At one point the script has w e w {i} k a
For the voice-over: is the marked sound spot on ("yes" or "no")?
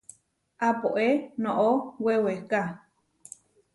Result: no